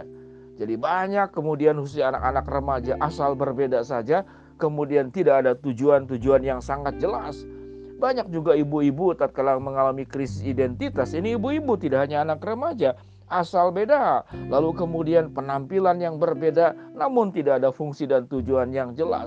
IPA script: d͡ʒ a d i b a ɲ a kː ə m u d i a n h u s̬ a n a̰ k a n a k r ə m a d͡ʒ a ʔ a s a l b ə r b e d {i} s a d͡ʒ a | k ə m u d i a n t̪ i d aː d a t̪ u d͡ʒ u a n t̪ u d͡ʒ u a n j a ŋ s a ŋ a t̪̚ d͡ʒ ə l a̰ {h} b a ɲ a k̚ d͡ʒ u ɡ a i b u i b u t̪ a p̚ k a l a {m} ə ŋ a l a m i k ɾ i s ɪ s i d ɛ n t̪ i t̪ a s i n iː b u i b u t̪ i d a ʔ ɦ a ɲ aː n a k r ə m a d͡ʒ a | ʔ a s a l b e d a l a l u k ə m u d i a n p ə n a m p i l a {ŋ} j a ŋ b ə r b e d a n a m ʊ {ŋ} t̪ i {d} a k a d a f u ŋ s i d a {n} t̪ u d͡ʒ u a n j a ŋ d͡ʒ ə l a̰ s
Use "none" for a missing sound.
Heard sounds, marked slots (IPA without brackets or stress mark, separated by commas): a, s, m, n, n, d, n